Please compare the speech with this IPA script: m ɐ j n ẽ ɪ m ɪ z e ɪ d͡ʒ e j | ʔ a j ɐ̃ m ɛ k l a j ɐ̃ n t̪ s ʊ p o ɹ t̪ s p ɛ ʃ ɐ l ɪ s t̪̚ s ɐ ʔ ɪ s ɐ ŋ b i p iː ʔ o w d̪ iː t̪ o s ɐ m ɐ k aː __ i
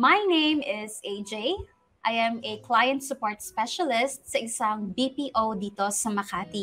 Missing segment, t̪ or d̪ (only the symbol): t̪